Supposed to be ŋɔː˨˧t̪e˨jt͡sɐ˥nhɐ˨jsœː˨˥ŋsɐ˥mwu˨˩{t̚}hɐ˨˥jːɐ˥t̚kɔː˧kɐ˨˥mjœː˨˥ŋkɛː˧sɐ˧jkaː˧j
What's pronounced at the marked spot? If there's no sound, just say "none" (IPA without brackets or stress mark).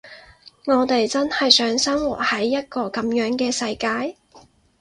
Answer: t̚